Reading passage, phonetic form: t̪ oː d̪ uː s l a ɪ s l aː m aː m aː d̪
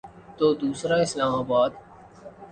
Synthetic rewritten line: t̪ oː d̪ uː s ɾ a ɪ s l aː m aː b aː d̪